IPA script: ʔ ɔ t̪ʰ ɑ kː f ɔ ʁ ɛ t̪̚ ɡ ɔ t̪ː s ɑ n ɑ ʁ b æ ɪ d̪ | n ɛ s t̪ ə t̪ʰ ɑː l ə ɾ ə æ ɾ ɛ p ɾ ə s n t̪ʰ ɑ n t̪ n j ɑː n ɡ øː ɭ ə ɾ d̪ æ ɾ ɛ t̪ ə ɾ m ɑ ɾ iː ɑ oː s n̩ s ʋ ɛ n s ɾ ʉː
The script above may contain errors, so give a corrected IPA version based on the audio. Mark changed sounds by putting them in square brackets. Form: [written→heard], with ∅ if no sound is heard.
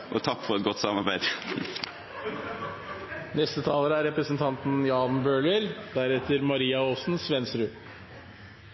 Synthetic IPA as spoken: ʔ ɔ t̪ʰ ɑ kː f ɔ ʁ ɛ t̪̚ ɡ ɔ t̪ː s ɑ [n→m] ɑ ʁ b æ ɪ d̪ | n ɛ s t̪ ə t̪ʰ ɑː l ə ɾ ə æ ɾ ɛ p ɾ ə s n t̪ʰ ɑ n t̪ n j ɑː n [ɡ→b] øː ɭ ə ɾ d̪ æ ɾ ɛ t̪ ə ɾ m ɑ ɾ iː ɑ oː s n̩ s ʋ ɛ n s ɾ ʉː